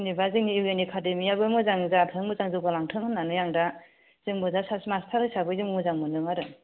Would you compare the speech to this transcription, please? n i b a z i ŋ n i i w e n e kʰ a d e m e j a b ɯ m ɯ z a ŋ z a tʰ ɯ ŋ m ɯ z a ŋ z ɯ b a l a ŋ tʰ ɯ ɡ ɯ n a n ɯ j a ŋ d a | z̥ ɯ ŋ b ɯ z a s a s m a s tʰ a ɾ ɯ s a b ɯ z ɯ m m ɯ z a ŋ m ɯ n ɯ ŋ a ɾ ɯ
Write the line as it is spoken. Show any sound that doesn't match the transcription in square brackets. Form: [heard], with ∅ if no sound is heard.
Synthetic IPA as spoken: n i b a z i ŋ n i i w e n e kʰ a d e m [i] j a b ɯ m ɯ z a ŋ z a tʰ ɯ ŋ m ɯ z a ŋ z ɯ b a l a ŋ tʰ ɯ [ŋ] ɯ n a n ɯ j a ŋ d a | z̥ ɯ ŋ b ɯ z a s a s m a s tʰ a ɾ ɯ s a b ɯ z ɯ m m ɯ z a ŋ m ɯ n ɯ ŋ a ɾ ɯ